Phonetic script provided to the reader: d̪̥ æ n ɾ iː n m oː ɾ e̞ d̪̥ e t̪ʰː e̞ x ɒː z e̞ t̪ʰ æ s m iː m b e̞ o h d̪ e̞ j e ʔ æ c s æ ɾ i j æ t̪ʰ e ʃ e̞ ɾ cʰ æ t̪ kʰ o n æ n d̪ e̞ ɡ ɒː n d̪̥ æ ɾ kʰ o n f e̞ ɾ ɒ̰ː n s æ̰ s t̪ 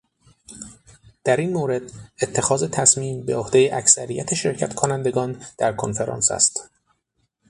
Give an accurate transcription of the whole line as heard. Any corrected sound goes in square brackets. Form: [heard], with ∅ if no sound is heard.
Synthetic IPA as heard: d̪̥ æ [∅] ɾ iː n m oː ɾ e̞ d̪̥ e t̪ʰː e̞ x ɒː z e̞ t̪ʰ æ s m iː m b e̞ o h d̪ e̞ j e ʔ æ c s æ ɾ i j æ t̪ʰ e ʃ e̞ ɾ cʰ æ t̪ kʰ o n æ n d̪ e̞ ɡ ɒː n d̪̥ æ ɾ kʰ o n f e̞ ɾ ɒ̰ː n s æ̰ s t̪